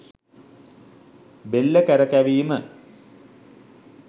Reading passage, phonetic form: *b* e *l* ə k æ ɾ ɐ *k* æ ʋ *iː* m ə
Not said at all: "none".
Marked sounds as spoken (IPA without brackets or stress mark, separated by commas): b, lː, k, iː